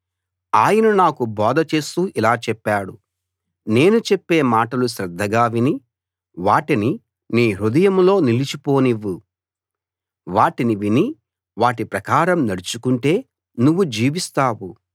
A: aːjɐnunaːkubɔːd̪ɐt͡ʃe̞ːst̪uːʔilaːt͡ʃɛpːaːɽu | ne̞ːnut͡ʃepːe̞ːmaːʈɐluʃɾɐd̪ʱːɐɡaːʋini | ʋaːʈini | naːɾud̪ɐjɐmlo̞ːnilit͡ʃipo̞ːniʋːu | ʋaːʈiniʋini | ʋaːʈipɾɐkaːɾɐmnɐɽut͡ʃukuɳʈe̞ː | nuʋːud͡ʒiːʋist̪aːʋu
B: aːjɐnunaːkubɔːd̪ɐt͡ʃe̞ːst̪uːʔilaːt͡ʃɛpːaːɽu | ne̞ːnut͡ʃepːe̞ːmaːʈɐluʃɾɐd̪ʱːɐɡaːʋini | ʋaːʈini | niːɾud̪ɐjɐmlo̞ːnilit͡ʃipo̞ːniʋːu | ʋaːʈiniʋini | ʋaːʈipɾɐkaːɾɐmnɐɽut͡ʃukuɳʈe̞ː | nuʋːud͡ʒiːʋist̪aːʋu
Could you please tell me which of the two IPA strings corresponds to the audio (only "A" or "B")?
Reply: B